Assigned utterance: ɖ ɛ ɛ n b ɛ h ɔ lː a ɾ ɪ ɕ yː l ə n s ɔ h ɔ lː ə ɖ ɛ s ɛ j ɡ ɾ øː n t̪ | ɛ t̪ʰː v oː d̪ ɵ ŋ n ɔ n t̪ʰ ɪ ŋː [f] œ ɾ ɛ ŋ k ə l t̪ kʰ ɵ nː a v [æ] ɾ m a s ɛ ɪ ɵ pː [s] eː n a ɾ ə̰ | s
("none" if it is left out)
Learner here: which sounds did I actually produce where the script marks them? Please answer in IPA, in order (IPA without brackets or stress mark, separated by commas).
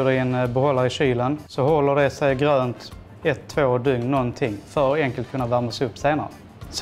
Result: f, æ, s